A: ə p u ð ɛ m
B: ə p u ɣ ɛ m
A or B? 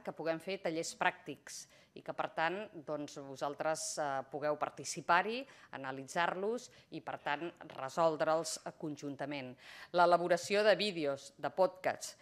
B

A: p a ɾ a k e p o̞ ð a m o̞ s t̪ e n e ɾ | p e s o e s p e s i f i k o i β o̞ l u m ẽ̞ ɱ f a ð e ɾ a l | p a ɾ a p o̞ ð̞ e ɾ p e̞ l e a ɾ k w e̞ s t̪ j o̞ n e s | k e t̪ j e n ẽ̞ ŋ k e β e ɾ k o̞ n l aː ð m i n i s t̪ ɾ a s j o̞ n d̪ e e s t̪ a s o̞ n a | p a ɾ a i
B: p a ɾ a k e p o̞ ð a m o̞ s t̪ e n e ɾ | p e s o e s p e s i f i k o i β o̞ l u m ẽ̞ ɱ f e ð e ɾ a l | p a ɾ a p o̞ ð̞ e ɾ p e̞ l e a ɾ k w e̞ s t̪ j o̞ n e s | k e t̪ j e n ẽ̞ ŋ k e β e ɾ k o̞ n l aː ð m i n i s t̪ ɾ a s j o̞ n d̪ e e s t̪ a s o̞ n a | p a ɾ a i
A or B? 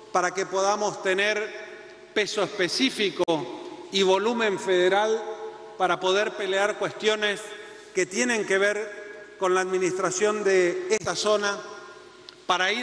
B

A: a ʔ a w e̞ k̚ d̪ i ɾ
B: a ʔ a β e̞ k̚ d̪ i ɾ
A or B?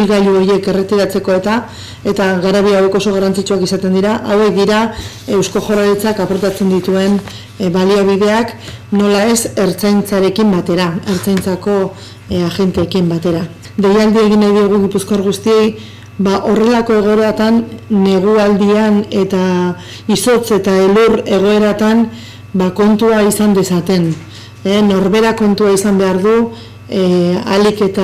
A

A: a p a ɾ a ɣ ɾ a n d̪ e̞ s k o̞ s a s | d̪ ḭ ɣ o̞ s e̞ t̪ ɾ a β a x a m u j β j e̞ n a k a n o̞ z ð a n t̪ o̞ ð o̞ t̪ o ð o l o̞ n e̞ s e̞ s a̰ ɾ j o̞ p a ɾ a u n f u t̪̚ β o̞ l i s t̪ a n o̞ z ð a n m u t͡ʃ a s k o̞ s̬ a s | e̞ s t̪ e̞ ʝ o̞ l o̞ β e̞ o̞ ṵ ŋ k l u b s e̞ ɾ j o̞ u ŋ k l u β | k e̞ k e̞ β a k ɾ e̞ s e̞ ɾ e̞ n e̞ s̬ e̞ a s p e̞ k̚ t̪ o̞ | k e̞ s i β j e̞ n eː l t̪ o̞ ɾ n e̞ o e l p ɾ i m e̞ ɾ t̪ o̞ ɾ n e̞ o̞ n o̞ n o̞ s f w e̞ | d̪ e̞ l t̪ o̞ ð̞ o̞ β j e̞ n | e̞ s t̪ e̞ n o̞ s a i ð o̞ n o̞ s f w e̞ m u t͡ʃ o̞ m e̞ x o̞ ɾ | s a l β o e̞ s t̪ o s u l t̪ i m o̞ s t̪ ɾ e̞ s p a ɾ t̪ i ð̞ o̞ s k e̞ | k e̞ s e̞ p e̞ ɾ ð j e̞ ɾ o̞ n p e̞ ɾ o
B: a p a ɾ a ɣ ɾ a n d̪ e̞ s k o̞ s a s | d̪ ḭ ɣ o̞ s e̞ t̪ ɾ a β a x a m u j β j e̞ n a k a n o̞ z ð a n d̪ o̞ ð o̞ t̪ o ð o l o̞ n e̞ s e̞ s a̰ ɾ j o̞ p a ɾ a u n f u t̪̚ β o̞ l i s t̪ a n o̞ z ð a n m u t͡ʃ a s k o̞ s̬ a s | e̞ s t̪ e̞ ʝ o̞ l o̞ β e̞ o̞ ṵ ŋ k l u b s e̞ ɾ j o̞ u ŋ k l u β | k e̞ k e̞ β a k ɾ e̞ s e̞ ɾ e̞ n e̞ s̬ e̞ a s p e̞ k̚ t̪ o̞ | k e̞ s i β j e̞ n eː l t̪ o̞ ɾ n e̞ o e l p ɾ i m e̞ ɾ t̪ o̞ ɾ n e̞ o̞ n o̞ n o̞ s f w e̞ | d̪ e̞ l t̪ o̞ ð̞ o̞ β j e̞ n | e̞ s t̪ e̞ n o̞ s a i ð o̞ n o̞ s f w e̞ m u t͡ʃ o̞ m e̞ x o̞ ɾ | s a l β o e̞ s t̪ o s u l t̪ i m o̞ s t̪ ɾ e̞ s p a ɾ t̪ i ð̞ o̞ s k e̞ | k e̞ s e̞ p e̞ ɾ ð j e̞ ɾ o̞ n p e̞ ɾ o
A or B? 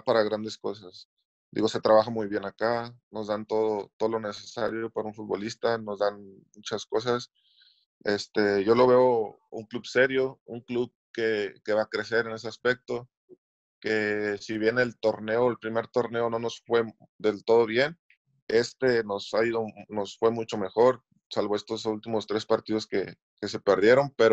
A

